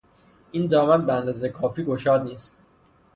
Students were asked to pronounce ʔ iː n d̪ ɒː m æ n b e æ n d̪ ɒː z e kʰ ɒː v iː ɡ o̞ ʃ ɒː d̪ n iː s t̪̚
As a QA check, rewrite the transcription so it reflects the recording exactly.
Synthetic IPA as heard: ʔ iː n d̪ ɒː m æ n b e æ n d̪ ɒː z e kʰ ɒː f iː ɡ o̞ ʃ ɒː d̪ n iː s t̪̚